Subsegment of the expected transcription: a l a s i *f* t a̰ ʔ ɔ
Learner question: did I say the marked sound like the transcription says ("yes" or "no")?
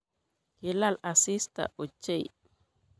no